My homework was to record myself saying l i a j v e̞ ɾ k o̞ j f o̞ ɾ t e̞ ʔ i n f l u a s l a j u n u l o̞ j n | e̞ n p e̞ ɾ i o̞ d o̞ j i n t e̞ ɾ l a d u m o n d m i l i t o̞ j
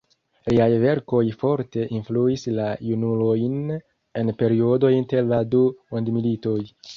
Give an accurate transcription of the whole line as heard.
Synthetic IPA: l i a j v e̞ ɾ k o̞ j f o̞ ɾ t e̞ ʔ i n f l u i s l a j u n u l o̞ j n | e̞ n p e̞ ɾ i o̞ d o̞ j i n t e̞ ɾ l a d u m o n d m i l i t o̞ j